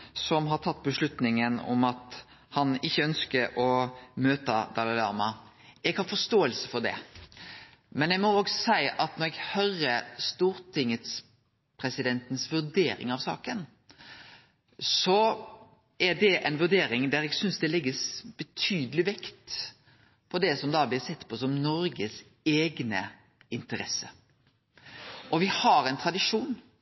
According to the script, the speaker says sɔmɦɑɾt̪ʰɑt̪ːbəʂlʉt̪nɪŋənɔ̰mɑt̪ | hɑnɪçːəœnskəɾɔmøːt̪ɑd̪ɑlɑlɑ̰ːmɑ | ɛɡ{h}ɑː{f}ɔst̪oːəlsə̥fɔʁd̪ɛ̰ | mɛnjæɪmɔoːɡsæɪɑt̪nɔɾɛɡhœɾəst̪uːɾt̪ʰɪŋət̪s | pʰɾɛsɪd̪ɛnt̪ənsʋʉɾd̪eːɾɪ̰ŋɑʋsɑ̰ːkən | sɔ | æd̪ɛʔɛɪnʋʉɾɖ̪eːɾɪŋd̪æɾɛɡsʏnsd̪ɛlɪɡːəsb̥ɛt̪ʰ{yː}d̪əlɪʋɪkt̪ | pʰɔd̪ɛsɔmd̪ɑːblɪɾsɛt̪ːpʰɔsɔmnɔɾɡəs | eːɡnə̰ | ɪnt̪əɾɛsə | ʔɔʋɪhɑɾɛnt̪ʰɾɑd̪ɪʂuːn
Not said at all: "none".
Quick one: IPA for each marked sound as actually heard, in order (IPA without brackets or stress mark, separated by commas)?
h, f, yː